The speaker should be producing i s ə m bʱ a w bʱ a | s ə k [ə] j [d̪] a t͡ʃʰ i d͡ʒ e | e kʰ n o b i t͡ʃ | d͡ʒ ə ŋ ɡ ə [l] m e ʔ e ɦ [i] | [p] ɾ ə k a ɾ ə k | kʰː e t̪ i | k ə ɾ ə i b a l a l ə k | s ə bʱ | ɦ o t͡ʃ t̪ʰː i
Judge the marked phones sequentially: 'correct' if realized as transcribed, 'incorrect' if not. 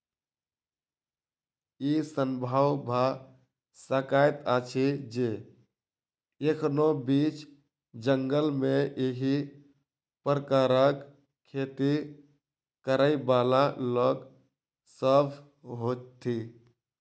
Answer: incorrect: a, incorrect: t̪, correct, correct, correct

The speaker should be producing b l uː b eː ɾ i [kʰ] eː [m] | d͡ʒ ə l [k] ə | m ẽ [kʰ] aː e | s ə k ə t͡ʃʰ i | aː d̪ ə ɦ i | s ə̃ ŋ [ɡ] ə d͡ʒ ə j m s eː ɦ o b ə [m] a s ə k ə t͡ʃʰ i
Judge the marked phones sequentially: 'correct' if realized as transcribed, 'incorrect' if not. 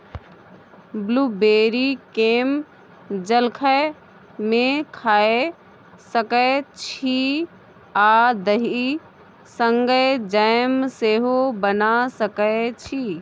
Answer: incorrect: k, correct, incorrect: kʰ, correct, correct, incorrect: n

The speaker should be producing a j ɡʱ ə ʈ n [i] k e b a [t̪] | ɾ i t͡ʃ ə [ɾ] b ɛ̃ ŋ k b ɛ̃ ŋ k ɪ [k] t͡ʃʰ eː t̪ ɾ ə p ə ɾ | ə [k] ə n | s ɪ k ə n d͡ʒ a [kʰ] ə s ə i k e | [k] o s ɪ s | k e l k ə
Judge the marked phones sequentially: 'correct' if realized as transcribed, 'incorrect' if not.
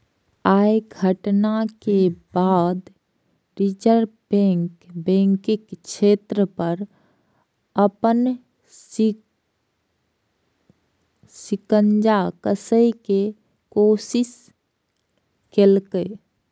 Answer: incorrect: a, incorrect: d̪, correct, correct, incorrect: p, incorrect: k, correct

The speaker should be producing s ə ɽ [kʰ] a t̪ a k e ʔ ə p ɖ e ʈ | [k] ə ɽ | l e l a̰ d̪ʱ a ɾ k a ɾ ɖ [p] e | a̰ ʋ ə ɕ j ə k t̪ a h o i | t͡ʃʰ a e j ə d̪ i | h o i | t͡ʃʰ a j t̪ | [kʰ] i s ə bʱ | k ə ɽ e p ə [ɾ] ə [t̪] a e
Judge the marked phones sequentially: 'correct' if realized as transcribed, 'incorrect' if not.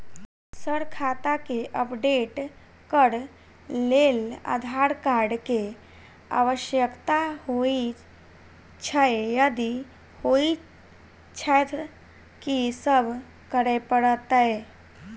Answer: correct, correct, incorrect: k, incorrect: k, incorrect: ɽ, correct

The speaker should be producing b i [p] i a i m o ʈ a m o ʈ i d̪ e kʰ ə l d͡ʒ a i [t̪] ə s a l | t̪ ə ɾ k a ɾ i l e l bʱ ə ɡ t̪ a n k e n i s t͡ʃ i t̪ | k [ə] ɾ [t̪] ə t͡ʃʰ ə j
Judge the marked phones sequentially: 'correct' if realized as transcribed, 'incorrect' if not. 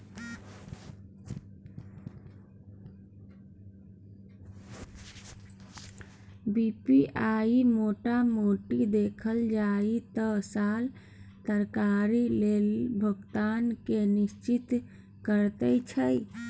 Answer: correct, correct, correct, correct

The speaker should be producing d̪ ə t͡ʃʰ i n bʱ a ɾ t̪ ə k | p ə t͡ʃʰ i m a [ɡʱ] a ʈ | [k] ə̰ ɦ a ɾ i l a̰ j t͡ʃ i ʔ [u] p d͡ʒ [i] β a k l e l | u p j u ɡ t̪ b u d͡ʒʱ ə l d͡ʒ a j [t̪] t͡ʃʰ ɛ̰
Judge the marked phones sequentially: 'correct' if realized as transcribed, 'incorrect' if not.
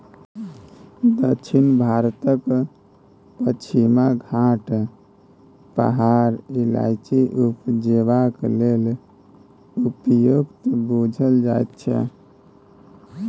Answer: correct, incorrect: p, correct, incorrect: e, correct

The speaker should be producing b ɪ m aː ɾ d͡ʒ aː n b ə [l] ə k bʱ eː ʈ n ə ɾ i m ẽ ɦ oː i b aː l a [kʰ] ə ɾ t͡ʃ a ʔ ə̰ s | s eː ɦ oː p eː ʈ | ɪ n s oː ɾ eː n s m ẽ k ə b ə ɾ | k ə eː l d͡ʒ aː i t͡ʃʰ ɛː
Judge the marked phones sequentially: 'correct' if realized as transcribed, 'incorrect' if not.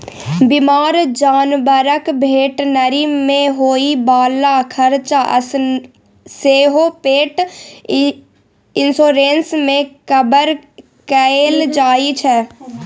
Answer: incorrect: ɾ, correct

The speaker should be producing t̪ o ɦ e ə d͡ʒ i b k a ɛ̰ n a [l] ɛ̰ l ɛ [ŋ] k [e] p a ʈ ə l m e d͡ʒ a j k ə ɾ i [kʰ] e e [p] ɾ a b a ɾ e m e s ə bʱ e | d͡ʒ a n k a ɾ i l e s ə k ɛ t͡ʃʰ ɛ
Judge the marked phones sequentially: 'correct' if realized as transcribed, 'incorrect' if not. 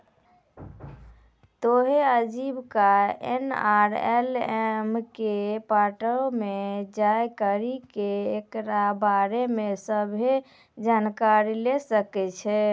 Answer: incorrect: ɾ, incorrect: m, correct, incorrect: k, incorrect: k

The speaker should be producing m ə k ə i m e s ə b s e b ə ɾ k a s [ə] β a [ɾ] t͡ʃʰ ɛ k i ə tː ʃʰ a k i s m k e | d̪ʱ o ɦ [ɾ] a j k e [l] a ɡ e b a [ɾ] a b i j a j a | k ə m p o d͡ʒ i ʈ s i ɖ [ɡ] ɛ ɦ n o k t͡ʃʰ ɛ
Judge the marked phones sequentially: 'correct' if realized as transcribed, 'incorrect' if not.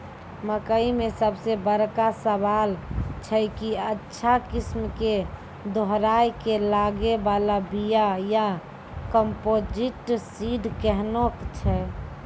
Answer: correct, incorrect: l, correct, correct, incorrect: l, incorrect: k

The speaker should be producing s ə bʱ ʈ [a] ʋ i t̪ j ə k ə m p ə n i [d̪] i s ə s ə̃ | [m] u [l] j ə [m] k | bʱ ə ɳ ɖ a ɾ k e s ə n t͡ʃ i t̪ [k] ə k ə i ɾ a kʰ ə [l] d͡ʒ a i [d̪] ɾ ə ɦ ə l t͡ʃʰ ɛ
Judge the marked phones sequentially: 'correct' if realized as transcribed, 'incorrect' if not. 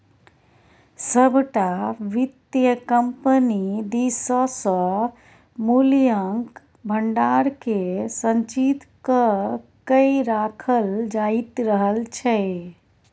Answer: correct, correct, correct, correct, incorrect: ŋ, correct, correct, incorrect: t̪

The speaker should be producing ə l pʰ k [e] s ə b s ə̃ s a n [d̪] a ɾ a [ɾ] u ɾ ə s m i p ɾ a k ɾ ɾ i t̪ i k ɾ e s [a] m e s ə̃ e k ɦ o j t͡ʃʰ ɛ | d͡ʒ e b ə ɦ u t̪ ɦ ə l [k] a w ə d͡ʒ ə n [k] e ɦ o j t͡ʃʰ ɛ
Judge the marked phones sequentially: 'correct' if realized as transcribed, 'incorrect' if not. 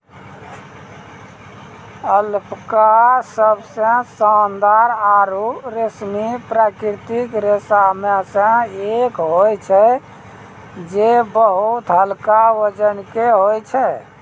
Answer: incorrect: a, correct, correct, correct, correct, correct

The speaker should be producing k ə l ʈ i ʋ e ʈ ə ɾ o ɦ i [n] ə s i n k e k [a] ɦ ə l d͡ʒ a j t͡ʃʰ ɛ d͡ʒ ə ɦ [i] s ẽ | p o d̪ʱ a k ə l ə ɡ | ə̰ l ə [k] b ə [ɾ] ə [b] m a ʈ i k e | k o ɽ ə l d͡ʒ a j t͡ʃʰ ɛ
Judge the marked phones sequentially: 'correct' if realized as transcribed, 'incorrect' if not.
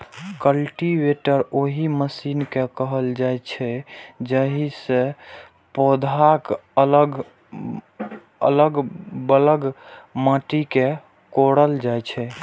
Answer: incorrect: m, incorrect: ə, correct, incorrect: ɡ, incorrect: l, incorrect: ɡ

